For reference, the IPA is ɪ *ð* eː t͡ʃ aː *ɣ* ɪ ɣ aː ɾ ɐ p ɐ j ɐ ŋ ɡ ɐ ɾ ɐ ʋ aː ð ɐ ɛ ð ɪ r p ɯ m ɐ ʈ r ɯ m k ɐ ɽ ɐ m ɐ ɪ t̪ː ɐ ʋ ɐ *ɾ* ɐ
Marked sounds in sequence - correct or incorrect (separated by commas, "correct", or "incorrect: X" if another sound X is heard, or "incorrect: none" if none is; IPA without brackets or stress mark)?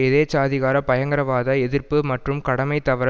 correct, incorrect: ð, correct